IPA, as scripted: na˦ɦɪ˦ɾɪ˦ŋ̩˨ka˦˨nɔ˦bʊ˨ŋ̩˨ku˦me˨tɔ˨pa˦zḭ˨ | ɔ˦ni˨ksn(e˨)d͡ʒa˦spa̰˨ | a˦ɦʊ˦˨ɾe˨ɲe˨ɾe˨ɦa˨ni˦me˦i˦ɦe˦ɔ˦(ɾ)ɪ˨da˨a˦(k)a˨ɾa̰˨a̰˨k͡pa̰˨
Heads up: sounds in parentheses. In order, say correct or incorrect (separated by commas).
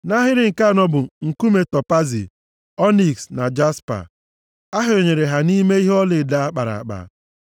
incorrect, incorrect, incorrect